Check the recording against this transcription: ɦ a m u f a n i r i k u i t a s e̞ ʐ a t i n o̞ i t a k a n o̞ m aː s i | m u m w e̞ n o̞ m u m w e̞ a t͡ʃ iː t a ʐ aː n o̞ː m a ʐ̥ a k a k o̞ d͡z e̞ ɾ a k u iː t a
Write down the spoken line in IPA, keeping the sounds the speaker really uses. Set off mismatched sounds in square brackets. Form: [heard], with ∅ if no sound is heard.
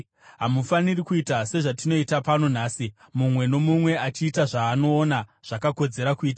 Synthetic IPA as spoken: ɦ a m u f a n i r i k u i t a s e̞ ʐ a t i n o̞ i t a [p] a n o̞ [n] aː s i | m u m w e̞ n o̞ m u m w e̞ a t͡ʃ iː t a ʐ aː n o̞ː [n] a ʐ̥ a k a k o̞ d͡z e̞ ɾ a k u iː t a